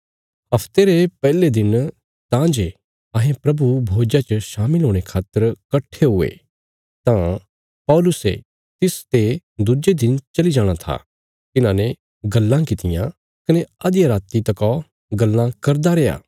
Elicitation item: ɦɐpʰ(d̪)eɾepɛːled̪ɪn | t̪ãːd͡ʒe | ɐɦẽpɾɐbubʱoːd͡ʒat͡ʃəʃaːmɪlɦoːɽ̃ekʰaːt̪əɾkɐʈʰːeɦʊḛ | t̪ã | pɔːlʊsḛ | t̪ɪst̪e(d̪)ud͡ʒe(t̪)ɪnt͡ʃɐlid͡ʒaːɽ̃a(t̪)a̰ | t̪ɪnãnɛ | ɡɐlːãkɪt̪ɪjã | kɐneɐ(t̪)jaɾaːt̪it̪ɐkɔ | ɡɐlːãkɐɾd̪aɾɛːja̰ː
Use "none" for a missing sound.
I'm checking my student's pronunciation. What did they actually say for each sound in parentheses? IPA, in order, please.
t̪, d̪, d̪, t̪ʰ, d̪

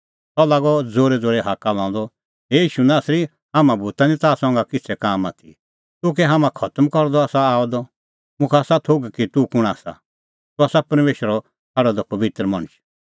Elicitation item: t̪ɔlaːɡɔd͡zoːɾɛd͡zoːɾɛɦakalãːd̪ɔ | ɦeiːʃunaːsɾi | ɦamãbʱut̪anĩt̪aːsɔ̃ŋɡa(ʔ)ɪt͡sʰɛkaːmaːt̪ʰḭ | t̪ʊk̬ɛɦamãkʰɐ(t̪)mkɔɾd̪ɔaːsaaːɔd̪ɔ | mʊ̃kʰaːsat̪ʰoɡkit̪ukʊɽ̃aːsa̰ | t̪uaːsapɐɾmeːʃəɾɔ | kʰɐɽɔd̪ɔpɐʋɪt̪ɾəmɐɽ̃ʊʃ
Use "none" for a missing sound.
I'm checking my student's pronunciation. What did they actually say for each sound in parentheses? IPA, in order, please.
k, t̪

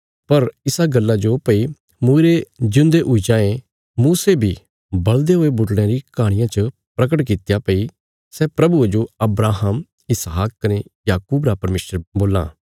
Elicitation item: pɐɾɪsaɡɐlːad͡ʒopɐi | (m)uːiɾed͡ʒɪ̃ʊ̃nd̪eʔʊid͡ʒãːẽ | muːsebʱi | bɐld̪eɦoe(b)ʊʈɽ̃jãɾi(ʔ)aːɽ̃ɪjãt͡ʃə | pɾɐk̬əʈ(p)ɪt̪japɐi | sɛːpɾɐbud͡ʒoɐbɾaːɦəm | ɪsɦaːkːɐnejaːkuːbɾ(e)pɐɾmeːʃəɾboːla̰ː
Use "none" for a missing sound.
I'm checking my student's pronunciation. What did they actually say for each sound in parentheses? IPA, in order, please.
m, b, k, k, a

